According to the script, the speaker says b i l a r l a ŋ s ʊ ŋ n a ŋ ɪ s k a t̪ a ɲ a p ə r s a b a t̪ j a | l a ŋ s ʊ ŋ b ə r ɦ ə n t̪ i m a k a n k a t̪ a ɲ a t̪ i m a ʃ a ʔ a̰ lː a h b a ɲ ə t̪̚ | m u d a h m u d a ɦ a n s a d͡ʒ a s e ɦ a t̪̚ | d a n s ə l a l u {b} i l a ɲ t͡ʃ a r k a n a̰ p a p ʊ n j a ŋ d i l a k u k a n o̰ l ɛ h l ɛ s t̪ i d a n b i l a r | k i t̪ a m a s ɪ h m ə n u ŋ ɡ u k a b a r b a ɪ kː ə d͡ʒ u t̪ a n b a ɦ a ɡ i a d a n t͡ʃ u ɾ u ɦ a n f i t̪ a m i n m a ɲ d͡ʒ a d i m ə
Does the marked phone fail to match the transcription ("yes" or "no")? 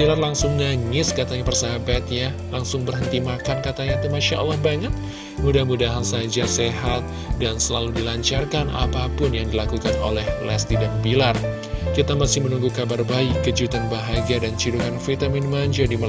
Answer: yes